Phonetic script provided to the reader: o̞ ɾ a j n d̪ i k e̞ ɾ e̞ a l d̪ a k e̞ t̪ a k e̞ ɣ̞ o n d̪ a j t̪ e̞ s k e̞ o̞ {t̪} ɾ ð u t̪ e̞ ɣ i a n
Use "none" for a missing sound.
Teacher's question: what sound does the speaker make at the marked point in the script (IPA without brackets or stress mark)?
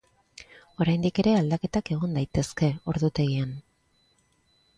none